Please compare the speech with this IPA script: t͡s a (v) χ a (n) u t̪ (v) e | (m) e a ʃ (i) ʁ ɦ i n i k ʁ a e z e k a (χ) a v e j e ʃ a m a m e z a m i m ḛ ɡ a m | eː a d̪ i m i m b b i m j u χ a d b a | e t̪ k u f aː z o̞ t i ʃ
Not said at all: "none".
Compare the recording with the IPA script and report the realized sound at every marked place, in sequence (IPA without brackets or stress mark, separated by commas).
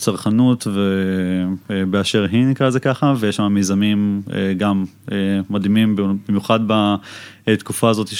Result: ʁ, n, v, b, e, χ